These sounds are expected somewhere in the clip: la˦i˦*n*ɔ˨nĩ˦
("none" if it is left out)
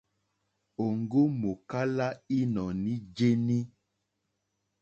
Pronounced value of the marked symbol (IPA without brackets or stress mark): n